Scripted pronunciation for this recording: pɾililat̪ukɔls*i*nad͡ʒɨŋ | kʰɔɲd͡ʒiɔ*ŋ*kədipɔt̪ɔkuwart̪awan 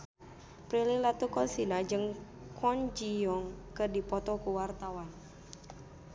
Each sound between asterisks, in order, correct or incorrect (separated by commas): correct, correct